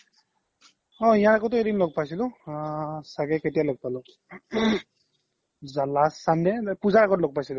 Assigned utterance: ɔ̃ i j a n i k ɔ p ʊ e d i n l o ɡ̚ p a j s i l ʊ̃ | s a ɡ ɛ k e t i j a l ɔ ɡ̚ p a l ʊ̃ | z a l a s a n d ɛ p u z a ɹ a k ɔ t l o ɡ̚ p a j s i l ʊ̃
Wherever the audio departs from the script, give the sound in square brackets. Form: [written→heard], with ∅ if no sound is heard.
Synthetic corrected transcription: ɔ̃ i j a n [i→a] k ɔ [p→t] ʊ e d i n l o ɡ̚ p a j s i l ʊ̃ | s a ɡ ɛ k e t i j a l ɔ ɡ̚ p a l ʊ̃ | z a l a s a n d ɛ p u z a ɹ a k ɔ t l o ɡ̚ p a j s i l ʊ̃

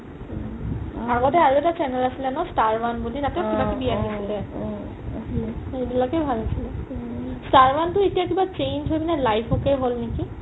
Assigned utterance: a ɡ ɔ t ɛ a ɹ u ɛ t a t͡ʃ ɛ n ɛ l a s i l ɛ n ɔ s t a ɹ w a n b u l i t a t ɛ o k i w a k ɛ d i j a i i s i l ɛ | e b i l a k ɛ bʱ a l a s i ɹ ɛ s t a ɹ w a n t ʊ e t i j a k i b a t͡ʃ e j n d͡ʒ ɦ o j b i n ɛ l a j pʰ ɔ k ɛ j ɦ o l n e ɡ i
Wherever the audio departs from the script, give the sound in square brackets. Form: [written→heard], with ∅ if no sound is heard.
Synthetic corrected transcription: a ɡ ɔ t ɛ a ɹ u ɛ t a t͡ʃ ɛ n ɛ l a s i l ɛ n ɔ s t a ɹ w a n b u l i t a t ɛ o k i [w→b] a k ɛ [d→b] i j a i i s i l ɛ | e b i l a k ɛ bʱ a l a s i [ɹ→l] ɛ s t a ɹ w a n t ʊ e t i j a k i b a t͡ʃ e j n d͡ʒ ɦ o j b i n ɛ l a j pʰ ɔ k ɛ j ɦ o l n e [ɡ→k] i

